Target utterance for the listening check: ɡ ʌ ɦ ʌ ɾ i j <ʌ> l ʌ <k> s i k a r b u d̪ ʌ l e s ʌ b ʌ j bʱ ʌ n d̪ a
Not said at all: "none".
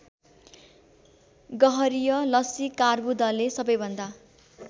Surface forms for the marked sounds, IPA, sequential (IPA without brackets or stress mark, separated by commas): ʌ, none